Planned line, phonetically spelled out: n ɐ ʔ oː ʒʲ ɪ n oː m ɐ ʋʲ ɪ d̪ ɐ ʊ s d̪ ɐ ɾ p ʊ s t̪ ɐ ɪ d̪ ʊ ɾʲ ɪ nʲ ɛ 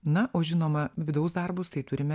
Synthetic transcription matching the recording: n ɐ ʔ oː ʒʲ ɪ n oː m ɐ ʋʲ ɪ d̪ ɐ ʊ s d̪ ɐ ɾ b ʊ s t̪ ɐ ɪ t̪ ʊ ɾʲ ɪ mʲ ɛ